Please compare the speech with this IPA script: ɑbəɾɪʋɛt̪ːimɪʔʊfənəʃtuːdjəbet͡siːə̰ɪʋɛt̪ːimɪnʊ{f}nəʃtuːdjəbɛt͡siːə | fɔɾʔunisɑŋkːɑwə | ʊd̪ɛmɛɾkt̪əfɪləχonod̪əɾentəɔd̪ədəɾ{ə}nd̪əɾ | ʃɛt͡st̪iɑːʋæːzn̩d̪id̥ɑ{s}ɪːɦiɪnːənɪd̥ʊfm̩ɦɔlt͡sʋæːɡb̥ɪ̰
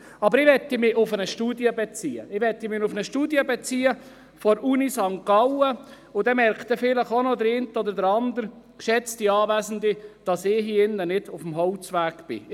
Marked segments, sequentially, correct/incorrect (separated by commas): correct, incorrect, correct